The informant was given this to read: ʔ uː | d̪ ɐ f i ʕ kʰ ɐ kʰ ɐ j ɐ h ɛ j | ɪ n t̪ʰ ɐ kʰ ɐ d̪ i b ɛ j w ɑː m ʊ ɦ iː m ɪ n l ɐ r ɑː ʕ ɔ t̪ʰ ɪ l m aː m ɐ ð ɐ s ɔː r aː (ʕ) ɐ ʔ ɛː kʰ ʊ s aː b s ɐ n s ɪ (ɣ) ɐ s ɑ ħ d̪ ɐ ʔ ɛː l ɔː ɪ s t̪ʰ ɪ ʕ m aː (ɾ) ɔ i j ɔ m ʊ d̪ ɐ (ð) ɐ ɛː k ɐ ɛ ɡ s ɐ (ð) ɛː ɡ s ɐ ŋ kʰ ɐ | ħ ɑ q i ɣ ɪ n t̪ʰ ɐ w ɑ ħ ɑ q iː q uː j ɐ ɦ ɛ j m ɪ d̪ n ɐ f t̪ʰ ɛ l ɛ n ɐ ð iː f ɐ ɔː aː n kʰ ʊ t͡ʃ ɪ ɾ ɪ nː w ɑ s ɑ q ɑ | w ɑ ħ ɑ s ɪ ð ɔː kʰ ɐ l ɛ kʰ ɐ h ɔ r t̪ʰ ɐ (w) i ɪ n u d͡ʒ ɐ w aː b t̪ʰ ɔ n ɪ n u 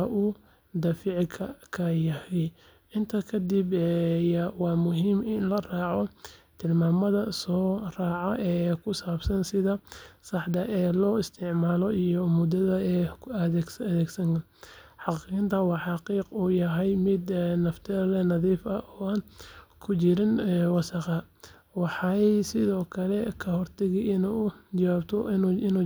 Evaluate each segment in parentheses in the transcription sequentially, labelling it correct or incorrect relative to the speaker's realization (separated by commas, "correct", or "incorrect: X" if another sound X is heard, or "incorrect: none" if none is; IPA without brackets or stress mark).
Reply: correct, incorrect: ð, incorrect: l, correct, correct, incorrect: ɣ